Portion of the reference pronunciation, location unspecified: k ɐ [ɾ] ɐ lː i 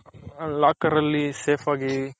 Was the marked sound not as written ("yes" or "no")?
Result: no